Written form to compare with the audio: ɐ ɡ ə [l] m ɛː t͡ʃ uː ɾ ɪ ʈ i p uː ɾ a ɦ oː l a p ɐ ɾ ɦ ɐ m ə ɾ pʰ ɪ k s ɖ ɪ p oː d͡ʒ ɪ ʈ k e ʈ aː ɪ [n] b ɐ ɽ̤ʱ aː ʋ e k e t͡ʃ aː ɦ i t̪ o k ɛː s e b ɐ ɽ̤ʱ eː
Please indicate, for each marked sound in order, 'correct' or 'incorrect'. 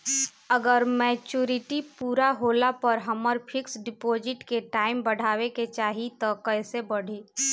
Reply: incorrect: ɾ, incorrect: m

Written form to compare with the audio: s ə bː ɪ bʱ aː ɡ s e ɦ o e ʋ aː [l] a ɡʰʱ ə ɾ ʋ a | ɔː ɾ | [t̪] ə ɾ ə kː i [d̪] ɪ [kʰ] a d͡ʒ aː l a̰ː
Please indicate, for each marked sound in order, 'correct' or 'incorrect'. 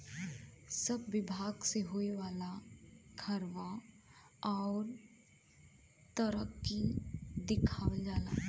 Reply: correct, correct, correct, correct

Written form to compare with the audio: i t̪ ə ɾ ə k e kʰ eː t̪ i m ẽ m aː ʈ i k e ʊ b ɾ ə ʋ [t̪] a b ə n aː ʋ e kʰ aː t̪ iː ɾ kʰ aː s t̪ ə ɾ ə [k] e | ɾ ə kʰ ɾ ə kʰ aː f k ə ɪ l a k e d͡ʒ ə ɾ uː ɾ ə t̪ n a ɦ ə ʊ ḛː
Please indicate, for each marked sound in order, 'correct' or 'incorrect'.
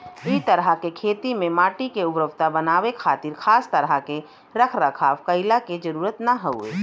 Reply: correct, correct

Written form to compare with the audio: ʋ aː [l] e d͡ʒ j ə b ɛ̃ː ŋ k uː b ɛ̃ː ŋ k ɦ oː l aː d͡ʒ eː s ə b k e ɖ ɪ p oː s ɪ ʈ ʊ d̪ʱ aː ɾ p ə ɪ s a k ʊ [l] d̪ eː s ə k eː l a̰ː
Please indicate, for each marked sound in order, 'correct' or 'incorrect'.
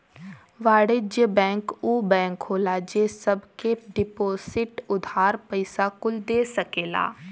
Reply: incorrect: ɽ, correct

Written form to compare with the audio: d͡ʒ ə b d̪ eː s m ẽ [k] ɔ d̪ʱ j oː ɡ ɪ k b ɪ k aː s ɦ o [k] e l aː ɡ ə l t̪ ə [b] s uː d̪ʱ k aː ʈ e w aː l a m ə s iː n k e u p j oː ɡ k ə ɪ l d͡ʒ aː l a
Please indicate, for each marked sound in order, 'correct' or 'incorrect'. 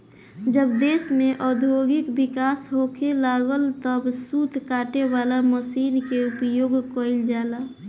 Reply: incorrect: ʔ, incorrect: kʰ, correct

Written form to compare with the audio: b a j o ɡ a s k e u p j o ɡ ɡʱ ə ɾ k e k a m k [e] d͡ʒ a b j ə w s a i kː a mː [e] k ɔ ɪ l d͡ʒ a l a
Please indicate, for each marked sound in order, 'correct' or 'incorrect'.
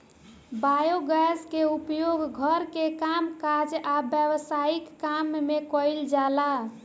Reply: incorrect: a, correct

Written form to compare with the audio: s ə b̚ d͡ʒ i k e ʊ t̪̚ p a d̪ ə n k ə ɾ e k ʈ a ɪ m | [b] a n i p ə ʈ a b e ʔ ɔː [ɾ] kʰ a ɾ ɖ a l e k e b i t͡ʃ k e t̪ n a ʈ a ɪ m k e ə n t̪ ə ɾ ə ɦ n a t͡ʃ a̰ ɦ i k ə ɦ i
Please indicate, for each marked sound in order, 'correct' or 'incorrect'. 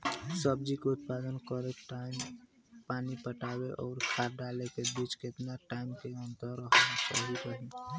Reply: incorrect: p, correct

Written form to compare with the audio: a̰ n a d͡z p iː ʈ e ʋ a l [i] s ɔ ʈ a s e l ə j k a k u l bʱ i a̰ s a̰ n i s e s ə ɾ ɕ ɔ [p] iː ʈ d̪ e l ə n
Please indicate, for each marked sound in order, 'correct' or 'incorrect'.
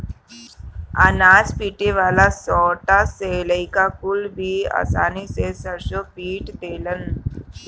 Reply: incorrect: a, correct

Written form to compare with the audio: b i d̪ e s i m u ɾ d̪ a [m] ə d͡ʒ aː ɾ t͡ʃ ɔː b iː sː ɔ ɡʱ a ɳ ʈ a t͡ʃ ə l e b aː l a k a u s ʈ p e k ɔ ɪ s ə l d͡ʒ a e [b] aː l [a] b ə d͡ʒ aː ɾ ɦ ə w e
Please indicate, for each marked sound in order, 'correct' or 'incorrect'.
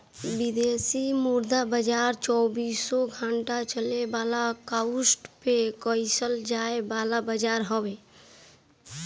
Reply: incorrect: b, correct, correct

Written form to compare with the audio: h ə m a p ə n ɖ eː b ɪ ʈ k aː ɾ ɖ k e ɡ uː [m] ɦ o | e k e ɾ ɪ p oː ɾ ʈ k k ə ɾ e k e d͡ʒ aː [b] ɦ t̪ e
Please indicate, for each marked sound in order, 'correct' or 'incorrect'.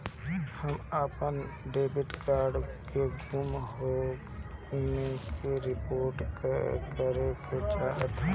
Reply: correct, incorrect: none

